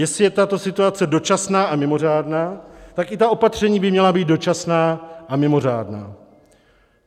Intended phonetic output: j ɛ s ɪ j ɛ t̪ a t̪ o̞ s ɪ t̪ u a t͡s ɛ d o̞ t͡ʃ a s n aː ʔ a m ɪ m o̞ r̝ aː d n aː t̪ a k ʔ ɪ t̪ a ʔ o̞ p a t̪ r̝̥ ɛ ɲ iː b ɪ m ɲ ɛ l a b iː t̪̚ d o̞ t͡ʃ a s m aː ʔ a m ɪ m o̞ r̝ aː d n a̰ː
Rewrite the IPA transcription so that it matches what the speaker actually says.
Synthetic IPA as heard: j ɛ s ɪ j ɛ t̪ a t̪ o̞ s ɪ t̪ u a t͡s ɛ d o̞ t͡ʃ a s n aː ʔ a m ɪ m o̞ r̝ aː d n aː t̪ a k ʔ ɪ t̪ a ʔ o̞ p a t̪ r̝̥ ɛ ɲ iː b ɪ m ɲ ɛ l a b iː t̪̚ d o̞ t͡ʃ a s n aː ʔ a m ɪ m o̞ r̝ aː d n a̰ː

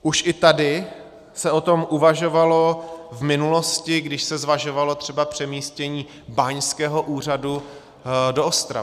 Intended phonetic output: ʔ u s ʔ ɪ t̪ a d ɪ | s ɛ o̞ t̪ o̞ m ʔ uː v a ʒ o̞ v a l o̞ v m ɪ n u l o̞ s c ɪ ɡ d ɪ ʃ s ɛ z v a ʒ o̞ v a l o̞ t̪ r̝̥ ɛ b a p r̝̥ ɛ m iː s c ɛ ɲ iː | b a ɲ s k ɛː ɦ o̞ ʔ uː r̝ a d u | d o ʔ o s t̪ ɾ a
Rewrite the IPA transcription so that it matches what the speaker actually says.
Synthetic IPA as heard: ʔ u ʃ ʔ ɪ t̪ a d ɪ | s ɛ o̞ t̪ o̞ m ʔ u v a ʒ o̞ v a l o̞ v m ɪ n u l o̞ s c ɪ ɡ d ɪ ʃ s ɛ z v a ʒ o̞ v a l o̞ t̪ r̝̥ ɛ b a p r̝̥ ɛ m iː s c ɛ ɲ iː | b a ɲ s k ɛː ɦ o̞ ʔ uː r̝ a d u | d o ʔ o s t̪ ɾ a

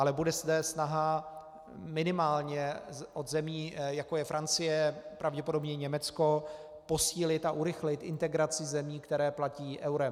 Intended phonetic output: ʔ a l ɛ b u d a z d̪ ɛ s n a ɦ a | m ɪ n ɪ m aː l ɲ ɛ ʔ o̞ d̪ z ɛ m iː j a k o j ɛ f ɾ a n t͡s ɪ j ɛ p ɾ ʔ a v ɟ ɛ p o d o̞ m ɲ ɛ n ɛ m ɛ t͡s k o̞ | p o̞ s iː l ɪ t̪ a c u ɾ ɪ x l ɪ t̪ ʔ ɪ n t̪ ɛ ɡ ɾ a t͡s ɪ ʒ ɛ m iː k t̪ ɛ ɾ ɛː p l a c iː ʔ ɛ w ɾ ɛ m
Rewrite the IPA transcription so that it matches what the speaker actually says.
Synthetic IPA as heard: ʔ a l ɛ b u d ɛ z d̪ ɛ s n a ɦ a | m ɪ n ɪ m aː l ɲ ɛ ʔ o̞ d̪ z ɛ m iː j a k o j ɛ f ɾ a n t͡s ɪ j ɛ p ɾ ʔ a v ɟ ɛ p o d o̞ b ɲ ɛ ɲ ɛ m ɛ t͡s k o̞ | p o̞ s iː l ɪ t̪ a ʔ u ɾ ɪ x l ɪ t̪ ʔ ɪ n t̪ ɛ ɡ ɾ a t͡s ɪ z ɛ m iː k t̪ ɛ ɾ ɛː p l a c iː ʔ ɛ w ɾ ɛ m

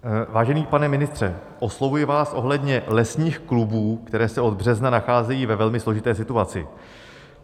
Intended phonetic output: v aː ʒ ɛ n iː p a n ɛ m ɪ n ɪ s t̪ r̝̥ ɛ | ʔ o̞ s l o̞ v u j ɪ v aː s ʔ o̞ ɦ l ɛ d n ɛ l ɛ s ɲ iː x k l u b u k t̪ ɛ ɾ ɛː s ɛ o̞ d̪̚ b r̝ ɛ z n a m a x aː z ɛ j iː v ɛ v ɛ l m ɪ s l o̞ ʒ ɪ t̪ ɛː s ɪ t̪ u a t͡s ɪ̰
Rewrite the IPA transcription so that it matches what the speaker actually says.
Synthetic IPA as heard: v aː ʒ ɛ n iː p a n ɛ m ɪ n ɪ s t̪ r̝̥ ɛ | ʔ o̞ s l o̞ v u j ɪ v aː s ʔ o̞ ɦ l ɛ d ɲ ɛ l ɛ s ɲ iː x k l u b uː k t̪ ɛ ɾ ɛː s ɛ o̞ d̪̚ b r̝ ɛ z n a n a x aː z ɛ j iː v ɛ v ɛ l m ɪ s l o̞ ʒ ɪ t̪ ɛː s ɪ t̪ u a t͡s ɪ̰

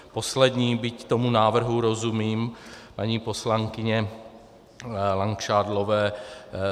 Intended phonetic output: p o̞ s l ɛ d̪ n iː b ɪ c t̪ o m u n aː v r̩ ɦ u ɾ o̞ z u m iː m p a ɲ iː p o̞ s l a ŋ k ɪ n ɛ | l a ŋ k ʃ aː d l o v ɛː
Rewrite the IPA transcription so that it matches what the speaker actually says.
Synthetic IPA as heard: p o̞ s l ɛ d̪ ɲ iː b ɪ c t̪ o m u n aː v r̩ ɦ u ɾ o̞ z u m iː m p a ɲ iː p o̞ s l a ŋ k ɪ ɲ ɛ | l a ŋ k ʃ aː d l o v ɛː

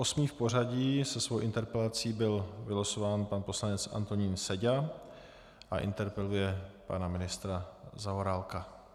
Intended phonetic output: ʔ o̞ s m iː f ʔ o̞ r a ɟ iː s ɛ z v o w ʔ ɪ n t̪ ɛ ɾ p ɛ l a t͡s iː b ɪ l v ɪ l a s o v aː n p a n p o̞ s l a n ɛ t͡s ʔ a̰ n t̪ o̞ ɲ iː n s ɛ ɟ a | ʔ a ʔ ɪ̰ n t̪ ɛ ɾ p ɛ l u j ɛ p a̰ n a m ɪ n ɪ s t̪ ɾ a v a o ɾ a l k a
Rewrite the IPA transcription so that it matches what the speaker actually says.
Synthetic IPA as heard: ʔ o̞ s m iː f p o̞ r a ɟ iː s ɛ s v o w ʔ ɪ n t̪ ɛ ɾ p ɛ l a t͡s iː b ɪ l v ɪ l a s o v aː n p a n p o̞ s l a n ɛ t͡s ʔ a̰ n t̪ o̞ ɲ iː n s ɛ ɟ a | ʔ a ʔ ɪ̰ n t̪ ɛ ɾ p ɛ l u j ɛ p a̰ n a m ɪ n ɪ s t̪ ɾ a z a o ɾ a l k a

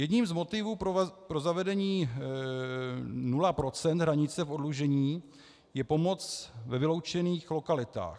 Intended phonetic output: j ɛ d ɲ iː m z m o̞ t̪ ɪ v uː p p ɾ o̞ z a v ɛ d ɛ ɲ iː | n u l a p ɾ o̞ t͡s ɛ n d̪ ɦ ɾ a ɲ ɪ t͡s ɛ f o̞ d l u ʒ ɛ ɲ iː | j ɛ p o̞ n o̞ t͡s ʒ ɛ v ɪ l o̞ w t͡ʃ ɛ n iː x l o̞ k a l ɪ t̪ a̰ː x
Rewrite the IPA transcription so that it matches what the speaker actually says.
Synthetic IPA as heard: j ɛ d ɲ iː m z m o̞ t̪ ɪ v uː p p ɾ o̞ z a v ɛ d ɛ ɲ iː | n u l a p ɾ o̞ t͡s ɛ n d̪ ɦ ɾ a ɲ ɪ t͡s ɛ f o̞ d l u ʒ ɛ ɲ iː | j ɛ p o̞ m o̞ t͡s v ɛ v ɪ l o̞ w t͡ʃ ɛ n iː x l o̞ k a l ɪ t̪ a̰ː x

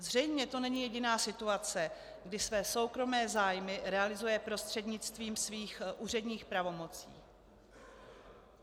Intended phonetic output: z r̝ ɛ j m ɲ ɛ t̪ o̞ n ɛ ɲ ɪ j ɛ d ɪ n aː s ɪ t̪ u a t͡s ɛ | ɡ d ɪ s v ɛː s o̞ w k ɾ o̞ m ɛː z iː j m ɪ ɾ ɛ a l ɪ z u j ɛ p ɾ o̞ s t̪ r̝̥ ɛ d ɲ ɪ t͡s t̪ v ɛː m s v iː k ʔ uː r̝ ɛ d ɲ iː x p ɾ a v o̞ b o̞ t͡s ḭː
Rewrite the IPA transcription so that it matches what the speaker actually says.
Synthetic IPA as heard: z r̝ ɛ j m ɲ ɛ t̪ o̞ n ɛ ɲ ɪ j ɛ ɟ ɪ n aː s ɪ t̪ u a t͡s ɛ | ɡ d ɪ s v ɛː s o̞ w k ɾ o̞ m ɛː z aː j m ɪ ɾ ɛ a l ɪ z u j ɛ p ɾ o̞ s t̪ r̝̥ ɛ d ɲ ɪ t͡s t̪ v iː m s v iː x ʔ uː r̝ ɛ d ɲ iː x p ɾ a v o̞ m o̞ t͡s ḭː

